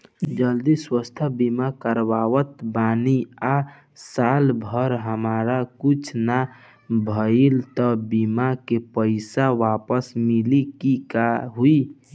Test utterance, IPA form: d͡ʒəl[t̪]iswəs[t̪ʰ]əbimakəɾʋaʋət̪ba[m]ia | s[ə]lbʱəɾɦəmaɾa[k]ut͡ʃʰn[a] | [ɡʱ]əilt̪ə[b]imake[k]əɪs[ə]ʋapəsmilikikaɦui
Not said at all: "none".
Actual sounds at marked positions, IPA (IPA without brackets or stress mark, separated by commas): d̪, t̪ʰ, n, a, k, a, bʱ, b, p, a